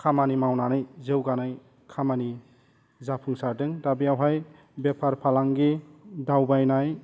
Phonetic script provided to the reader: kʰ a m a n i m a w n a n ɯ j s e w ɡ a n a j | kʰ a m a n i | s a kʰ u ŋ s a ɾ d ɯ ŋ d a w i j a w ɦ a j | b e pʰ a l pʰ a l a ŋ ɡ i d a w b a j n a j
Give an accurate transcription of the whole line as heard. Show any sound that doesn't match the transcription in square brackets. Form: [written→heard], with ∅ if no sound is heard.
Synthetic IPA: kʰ a m a n i m a w n a n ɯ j [s→z] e w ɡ a n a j | kʰ a m a n i | [s→z] a [kʰ→pʰ] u ŋ s a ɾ d ɯ ŋ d a [w→b] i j a w ɦ a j | b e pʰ a [l→ɾ] pʰ a l a ŋ ɡ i d a w b a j n a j